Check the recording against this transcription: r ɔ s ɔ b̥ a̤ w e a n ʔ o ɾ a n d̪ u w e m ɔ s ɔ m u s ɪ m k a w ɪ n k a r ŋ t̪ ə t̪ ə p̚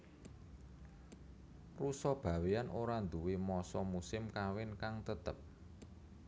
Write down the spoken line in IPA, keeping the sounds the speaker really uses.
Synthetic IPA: r u s ɔ b̥ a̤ w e a n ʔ o ɾ a n d̪ u w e m ɔ s ɔ m u s ɪ m k a w ɪ n k a ŋ t̪ ə t̪ ə p̚